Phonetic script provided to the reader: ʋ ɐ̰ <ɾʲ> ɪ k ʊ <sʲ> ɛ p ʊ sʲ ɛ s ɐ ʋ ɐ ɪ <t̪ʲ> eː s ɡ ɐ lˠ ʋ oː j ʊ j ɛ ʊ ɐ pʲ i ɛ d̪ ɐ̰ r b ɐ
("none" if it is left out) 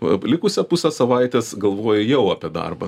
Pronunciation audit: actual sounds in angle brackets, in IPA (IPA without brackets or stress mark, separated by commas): lʲ, sʲ, t̪ʲ